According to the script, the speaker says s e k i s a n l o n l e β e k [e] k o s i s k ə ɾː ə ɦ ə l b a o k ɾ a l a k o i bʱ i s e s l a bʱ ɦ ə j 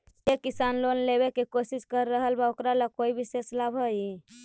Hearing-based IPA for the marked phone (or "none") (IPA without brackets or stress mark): e